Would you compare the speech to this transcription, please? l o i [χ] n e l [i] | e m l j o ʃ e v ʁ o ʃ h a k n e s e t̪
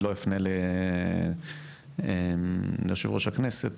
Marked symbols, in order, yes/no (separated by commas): no, no